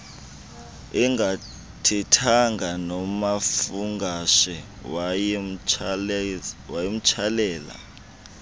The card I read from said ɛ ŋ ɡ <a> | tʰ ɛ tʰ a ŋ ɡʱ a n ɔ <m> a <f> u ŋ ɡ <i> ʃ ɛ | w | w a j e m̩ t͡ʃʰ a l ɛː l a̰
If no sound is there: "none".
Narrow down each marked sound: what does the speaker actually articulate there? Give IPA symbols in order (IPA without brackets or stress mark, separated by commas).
a, m, f, a